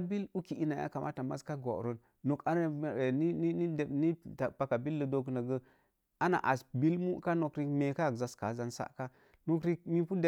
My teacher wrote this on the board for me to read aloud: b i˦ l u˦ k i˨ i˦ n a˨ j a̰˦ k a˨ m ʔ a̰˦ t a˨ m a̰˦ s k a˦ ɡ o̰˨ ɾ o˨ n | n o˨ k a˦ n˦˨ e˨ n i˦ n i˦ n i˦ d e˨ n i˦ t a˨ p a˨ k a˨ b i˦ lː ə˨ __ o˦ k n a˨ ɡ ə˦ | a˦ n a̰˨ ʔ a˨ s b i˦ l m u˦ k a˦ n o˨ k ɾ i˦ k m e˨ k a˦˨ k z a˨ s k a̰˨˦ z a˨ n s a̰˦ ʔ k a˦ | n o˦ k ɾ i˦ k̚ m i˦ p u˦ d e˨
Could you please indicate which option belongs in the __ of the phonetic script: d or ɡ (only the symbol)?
d